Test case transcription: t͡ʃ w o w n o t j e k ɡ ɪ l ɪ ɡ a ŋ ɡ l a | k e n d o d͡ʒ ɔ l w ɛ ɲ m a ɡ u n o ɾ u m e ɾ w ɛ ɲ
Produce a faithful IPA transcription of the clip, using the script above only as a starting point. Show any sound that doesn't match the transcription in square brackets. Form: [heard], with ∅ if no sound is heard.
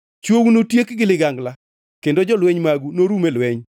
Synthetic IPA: t͡ʃ w o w n o t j e k ɡ ɪ l ɪ ɡ a ŋ ɡ l a | k e n d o d͡ʒ ɔ l w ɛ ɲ m a ɡ u n o ɾ u m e [l] w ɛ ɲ